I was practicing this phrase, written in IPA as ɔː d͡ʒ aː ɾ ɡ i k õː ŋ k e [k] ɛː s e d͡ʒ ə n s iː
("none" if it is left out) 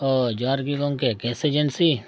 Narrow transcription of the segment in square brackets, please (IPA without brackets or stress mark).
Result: k